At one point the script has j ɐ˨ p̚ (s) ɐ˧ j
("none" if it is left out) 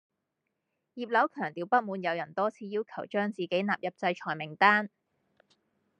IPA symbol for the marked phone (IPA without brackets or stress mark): t͡s